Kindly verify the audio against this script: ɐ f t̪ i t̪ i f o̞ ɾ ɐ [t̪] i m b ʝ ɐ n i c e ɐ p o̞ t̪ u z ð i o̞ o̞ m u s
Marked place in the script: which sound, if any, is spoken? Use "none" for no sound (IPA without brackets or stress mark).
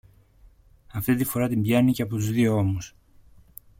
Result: t̪